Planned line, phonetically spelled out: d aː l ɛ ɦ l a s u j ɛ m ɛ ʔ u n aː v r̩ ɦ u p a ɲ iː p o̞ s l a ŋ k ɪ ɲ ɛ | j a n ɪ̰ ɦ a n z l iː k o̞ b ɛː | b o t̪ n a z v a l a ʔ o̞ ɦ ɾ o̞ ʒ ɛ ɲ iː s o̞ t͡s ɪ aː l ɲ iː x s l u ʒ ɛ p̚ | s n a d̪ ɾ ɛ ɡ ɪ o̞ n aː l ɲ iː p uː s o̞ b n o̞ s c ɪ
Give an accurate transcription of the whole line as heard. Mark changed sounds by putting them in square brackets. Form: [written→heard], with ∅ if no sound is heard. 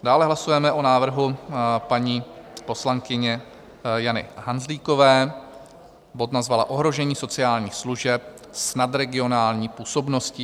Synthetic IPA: d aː l ɛ ɦ l a s u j ɛ m ɛ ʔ [u→o] n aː v r̩ ɦ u p a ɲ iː p o̞ s l a ŋ k ɪ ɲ ɛ | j a n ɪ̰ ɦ a n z l iː k o̞ [b→v] ɛː | b o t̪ n a z v a l a ʔ o̞ ɦ ɾ o̞ ʒ ɛ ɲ iː s o̞ t͡s ɪ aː l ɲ iː x s l u ʒ ɛ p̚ | s n a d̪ ɾ ɛ ɡ ɪ o̞ n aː l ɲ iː p uː s o̞ b n o̞ s c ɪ